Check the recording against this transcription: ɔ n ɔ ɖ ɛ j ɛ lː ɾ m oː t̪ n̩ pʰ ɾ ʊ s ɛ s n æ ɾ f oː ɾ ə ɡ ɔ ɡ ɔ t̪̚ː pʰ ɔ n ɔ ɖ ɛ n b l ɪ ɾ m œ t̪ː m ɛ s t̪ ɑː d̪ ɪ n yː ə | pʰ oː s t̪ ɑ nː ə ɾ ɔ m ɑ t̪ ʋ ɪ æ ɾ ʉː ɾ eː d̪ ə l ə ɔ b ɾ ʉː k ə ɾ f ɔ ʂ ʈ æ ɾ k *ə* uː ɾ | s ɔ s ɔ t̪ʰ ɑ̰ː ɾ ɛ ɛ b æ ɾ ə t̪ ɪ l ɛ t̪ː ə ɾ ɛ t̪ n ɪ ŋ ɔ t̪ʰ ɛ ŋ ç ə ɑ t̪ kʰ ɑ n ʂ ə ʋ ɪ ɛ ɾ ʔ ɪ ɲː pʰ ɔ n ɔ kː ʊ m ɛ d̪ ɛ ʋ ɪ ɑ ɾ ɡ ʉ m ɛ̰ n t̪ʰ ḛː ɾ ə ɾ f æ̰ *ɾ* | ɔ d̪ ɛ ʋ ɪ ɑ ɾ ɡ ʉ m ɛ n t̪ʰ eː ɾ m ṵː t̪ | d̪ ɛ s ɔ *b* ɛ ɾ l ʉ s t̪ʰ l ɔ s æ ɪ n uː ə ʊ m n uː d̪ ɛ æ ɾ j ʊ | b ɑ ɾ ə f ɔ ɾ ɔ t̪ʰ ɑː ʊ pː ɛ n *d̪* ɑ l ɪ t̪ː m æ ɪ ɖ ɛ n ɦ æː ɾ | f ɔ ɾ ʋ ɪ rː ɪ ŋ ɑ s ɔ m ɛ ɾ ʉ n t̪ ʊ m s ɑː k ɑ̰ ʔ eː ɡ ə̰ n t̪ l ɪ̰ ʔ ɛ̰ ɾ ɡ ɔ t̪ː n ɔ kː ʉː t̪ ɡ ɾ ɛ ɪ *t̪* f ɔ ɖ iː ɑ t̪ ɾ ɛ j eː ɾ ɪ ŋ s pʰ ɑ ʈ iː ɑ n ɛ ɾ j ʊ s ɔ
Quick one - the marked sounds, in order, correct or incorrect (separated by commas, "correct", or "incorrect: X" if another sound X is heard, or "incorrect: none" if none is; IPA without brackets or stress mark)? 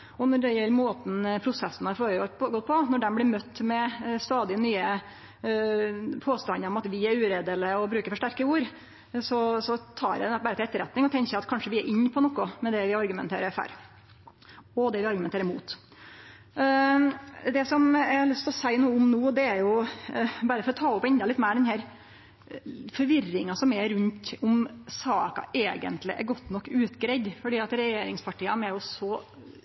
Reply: correct, correct, incorrect: m, correct, incorrect: d̪